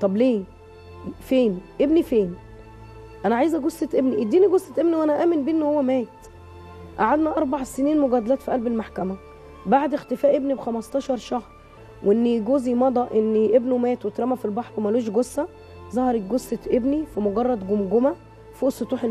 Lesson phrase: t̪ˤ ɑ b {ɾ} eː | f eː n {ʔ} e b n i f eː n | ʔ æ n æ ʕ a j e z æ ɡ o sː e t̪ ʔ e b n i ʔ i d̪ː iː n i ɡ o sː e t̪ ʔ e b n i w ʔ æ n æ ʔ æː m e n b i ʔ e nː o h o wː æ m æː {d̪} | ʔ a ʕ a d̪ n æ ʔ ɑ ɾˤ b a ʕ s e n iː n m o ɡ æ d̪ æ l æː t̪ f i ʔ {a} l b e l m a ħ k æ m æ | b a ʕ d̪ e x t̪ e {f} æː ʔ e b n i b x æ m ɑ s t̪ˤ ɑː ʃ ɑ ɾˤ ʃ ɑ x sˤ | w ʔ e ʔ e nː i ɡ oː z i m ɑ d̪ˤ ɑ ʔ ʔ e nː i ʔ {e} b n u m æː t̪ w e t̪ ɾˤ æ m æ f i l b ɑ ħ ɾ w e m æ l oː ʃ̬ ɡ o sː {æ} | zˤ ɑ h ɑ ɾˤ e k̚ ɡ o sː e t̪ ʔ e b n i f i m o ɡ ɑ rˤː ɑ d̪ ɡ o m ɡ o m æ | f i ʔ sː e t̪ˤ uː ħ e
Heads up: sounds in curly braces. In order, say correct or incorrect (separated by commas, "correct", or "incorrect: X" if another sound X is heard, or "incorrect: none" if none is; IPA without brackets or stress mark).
incorrect: l, correct, incorrect: t̪, incorrect: æ, correct, correct, correct